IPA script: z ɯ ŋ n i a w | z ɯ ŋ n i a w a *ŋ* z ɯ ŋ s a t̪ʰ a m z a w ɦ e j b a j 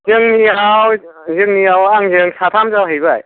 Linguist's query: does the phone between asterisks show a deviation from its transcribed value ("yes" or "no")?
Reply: no